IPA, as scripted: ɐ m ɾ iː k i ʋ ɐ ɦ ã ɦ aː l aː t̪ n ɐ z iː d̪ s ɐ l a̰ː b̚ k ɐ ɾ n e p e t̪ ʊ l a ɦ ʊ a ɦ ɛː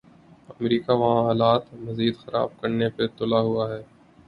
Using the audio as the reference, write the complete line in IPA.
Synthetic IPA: ɐ m ɾ iː k a ʋ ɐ ɦ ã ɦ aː l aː t̪ m ɐ z iː d̪ x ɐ ɾ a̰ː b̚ k ɐ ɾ n e p e t̪ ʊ l a ɦ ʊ a ɦ ɛː